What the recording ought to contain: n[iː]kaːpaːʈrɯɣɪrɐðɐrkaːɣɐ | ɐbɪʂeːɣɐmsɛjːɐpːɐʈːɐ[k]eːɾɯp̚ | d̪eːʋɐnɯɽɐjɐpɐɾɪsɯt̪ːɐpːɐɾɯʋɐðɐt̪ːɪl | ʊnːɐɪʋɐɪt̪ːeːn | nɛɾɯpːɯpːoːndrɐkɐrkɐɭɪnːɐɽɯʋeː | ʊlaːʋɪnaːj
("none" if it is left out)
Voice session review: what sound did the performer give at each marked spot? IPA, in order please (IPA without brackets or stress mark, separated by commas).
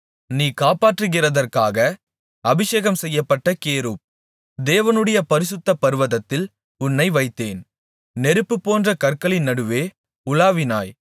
iː, k